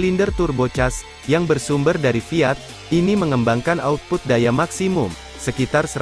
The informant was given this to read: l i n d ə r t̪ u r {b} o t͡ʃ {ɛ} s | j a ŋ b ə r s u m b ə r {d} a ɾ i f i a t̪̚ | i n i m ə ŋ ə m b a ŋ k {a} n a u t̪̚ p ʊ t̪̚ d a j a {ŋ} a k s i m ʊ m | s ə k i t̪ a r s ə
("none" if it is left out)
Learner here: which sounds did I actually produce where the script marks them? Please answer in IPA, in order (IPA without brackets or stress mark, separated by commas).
b, a, d, a, m